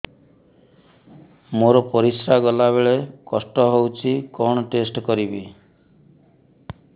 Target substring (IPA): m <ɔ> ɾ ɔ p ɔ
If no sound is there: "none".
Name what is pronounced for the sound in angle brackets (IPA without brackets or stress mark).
o